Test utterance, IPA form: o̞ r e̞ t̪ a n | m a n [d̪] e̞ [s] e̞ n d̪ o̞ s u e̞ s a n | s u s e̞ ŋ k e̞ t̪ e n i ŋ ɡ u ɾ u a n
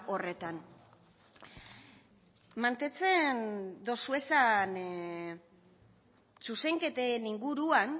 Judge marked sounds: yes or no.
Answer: no, no

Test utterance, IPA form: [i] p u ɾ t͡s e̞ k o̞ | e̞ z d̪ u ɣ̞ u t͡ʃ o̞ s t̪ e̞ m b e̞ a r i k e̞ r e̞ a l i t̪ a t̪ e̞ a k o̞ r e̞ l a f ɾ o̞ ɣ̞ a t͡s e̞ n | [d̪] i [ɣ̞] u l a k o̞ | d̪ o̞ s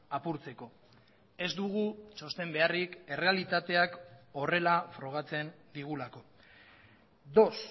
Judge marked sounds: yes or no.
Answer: no, yes, yes

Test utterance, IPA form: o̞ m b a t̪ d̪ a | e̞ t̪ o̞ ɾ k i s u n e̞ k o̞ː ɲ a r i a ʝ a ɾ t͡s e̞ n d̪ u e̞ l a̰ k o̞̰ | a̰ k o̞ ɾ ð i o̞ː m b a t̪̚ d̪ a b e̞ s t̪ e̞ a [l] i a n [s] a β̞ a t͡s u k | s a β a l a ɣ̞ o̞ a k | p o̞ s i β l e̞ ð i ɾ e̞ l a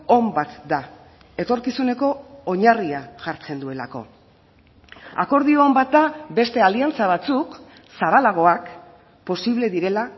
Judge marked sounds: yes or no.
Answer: yes, no

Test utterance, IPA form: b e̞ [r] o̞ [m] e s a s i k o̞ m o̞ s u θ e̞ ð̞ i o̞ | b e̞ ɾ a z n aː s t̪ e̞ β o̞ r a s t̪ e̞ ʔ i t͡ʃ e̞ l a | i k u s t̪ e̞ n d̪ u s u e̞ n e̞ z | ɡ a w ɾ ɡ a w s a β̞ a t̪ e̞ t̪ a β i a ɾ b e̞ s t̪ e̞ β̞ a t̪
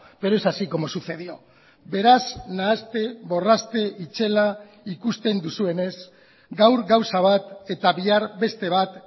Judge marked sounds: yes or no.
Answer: no, no

